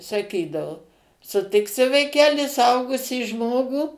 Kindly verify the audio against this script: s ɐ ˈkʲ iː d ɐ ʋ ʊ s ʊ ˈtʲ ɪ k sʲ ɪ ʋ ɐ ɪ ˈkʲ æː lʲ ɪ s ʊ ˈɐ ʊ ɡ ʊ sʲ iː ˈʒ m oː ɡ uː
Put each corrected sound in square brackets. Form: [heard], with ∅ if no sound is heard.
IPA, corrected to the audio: s ɐ ˈkʲ iː d ɐ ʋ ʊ s ʊ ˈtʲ ɪ k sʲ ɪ ʋ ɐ ɪ ˈkʲ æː lʲ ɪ s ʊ ˈɐ ʊ ɡ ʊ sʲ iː ˈʒ m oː ɡ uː